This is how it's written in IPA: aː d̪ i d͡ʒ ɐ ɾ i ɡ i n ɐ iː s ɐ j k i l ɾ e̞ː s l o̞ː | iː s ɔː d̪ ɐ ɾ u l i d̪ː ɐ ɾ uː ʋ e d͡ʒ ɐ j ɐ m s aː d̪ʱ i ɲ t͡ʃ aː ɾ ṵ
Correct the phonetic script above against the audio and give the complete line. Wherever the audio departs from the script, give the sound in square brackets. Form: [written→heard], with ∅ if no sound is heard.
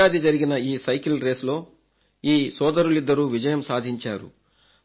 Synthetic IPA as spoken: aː d̪ i d͡ʒ ɐ ɾ i ɡ i n ɐ iː s ɐ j k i l ɾ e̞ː s l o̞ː | iː s ɔː d̪ ɐ ɾ u l i d̪ː ɐ ɾ uː ʋ [e→i] d͡ʒ ɐ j ɐ m s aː d̪ʱ i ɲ t͡ʃ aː ɾ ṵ